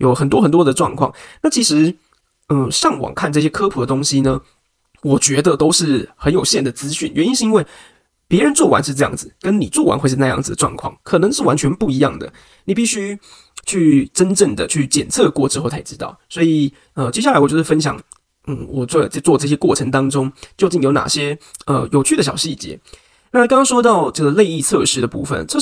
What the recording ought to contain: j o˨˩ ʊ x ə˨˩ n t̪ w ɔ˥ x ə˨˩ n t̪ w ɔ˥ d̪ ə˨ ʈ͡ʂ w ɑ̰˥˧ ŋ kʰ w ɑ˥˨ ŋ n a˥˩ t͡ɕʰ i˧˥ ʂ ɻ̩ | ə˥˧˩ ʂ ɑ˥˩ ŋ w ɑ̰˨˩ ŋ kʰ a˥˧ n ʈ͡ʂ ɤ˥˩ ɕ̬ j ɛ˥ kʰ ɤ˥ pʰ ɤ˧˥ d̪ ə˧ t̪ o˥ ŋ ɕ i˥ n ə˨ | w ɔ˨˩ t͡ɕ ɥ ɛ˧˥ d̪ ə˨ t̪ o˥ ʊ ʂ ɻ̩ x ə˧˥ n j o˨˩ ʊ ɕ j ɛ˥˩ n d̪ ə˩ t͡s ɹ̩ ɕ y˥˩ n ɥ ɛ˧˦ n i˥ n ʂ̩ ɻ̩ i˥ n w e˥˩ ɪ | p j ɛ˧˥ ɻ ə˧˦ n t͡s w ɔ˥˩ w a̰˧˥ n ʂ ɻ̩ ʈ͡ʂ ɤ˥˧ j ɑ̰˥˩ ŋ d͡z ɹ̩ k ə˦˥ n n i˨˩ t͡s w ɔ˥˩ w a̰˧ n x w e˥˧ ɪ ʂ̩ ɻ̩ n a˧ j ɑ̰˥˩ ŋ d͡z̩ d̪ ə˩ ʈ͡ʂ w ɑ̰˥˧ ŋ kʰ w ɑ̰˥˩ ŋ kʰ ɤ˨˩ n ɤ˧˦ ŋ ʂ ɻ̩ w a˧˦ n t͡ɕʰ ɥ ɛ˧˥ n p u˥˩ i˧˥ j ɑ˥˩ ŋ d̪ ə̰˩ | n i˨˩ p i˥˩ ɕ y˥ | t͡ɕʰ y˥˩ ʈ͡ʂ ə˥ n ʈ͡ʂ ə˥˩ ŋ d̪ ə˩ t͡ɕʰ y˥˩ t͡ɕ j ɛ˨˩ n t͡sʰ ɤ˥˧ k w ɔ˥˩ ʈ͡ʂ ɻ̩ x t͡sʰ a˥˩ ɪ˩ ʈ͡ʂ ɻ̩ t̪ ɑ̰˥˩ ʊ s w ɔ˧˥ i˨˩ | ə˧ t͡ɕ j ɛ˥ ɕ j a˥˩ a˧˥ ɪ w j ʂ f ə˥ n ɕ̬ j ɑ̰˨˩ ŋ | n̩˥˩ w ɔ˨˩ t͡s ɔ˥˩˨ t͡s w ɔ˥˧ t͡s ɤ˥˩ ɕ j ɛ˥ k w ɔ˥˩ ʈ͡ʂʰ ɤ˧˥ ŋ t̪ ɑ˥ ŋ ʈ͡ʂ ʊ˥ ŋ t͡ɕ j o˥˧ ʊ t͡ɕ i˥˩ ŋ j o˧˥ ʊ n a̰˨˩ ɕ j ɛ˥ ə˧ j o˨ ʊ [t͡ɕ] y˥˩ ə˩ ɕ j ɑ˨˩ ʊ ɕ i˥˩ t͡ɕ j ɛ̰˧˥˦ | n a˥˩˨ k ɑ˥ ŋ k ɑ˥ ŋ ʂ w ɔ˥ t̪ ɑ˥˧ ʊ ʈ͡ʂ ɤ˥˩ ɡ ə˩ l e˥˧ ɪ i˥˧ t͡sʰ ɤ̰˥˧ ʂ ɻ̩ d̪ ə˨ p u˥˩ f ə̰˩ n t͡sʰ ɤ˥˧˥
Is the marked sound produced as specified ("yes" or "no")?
no